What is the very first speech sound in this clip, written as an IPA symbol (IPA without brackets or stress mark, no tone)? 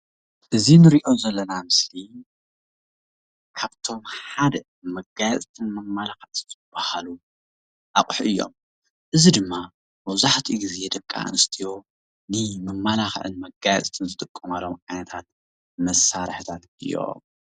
ʔ